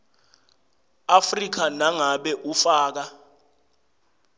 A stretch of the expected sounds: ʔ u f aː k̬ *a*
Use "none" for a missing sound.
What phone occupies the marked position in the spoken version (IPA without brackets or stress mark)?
a